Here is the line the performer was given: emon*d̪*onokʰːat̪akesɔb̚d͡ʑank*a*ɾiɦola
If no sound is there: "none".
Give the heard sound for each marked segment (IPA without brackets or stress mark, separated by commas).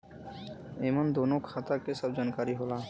d̪, a